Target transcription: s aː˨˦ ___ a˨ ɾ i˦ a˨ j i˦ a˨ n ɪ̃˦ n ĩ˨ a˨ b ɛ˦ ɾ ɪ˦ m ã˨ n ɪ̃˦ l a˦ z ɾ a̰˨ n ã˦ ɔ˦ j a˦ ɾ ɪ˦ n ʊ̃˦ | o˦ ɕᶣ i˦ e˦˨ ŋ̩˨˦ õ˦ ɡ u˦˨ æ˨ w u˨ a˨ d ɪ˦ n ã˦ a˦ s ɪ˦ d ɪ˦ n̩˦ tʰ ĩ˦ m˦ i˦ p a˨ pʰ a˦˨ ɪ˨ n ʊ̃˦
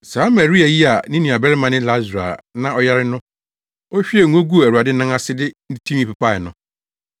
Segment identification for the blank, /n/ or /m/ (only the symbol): m